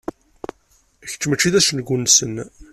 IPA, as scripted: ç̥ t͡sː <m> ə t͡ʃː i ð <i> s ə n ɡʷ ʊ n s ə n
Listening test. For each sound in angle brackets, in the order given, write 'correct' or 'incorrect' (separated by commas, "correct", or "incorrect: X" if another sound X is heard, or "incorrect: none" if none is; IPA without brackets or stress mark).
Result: correct, incorrect: æ